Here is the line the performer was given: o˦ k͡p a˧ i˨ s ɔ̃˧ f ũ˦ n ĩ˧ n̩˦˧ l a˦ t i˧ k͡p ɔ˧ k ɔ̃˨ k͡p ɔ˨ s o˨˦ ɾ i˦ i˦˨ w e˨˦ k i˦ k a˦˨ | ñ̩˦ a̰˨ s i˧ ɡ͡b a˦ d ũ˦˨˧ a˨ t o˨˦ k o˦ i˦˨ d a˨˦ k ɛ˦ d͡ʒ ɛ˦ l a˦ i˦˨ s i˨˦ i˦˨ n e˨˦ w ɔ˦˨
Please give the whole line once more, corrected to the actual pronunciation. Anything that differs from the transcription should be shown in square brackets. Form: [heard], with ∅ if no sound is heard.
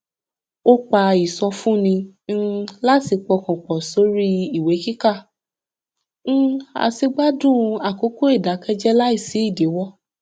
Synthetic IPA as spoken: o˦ k͡p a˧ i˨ s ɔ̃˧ f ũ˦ n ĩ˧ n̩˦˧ l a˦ t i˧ k͡p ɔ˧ k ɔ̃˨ k͡p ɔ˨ s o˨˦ ɾ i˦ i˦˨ w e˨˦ k i˦ k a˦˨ | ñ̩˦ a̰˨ s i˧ ɡ͡b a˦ d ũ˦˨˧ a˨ [k] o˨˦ k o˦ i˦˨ d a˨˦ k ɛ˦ d͡ʒ ɛ˦ l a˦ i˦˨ s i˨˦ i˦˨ [d] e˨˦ w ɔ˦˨

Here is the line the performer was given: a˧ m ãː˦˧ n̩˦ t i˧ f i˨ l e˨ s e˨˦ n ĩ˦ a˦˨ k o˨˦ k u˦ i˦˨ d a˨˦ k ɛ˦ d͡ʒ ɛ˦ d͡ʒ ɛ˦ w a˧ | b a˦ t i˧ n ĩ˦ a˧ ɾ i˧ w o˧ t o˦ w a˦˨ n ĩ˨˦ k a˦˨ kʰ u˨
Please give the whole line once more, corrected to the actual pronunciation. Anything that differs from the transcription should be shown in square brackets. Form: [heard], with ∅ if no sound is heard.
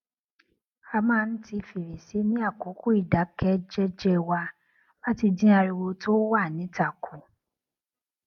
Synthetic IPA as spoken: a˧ m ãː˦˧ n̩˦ t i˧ f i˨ [ɾ] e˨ s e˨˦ n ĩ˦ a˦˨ k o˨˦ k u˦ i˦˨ d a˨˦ k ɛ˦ d͡ʒ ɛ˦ d͡ʒ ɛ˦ w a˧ | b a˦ t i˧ [d] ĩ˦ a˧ ɾ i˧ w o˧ t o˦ w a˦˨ n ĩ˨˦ [t] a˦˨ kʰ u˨

